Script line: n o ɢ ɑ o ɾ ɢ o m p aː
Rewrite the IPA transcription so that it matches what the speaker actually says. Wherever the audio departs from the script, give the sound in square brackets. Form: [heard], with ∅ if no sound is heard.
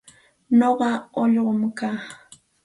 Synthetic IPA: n o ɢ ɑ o [ʎ] ɢ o m [k] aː